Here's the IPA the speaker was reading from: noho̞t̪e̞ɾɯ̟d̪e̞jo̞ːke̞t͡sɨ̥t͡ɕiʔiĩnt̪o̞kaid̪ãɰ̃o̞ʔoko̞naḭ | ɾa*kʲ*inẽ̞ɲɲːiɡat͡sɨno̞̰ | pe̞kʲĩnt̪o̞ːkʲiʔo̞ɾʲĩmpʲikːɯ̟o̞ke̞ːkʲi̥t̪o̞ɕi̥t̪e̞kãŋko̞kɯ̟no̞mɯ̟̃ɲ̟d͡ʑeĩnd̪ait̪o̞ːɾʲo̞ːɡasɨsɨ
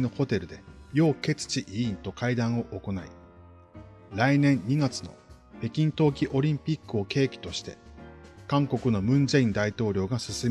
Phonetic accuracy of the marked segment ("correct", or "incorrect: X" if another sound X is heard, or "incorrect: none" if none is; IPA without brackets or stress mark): incorrect: none